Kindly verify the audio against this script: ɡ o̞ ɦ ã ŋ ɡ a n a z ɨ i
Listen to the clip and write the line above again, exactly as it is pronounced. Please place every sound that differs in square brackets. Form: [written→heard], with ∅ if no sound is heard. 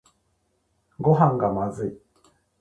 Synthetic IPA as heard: ɡ o̞ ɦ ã ŋ ɡ a [n→m] a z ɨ i